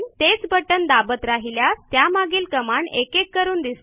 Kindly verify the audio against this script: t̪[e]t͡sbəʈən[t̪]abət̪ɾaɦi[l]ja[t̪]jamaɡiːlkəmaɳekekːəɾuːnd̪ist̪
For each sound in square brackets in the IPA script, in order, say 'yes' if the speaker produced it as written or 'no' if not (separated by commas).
yes, no, yes, yes